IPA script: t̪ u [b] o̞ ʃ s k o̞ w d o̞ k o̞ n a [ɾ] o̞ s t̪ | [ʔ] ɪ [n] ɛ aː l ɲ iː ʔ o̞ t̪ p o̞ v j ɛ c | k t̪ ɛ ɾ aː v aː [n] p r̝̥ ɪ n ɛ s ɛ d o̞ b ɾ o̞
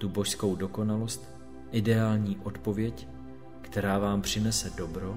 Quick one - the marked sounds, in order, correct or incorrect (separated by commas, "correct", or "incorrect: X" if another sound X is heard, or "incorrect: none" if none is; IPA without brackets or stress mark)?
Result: correct, incorrect: l, correct, incorrect: d, incorrect: m